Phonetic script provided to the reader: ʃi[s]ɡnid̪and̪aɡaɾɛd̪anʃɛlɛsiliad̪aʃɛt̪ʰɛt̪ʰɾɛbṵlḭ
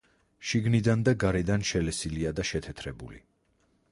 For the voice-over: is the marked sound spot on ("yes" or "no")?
no